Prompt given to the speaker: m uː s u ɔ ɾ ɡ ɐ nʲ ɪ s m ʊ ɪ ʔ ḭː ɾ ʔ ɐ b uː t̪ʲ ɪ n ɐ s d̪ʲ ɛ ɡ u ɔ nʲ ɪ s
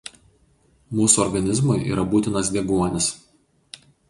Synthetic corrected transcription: m uː s u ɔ ɾ ɡ ɐ nʲ ɪ z m ʊ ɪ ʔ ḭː ɾ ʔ ɐ b uː t̪ʲ ɪ n ɐ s d̪ʲ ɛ ɡ u ɔ nʲ ɪ s